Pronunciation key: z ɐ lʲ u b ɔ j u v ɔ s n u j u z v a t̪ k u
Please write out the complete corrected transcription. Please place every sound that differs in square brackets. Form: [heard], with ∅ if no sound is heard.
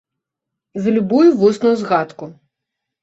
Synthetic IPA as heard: z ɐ lʲ u b [u] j u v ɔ s n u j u z [ɣ] a t̪ k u